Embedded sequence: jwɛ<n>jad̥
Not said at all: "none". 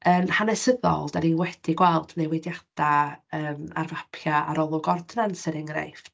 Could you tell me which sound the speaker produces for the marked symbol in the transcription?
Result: d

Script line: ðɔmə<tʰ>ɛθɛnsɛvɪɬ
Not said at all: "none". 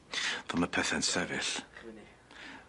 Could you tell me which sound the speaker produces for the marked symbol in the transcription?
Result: pʰ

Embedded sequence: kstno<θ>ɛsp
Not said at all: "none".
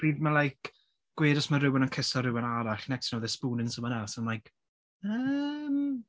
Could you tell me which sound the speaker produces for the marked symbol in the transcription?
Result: ð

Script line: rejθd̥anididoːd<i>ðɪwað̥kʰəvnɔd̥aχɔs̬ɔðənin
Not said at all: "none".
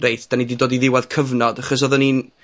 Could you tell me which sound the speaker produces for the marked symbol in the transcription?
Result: i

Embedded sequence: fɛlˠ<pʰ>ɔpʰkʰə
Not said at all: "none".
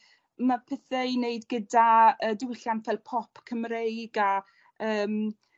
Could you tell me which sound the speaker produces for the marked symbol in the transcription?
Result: pʰ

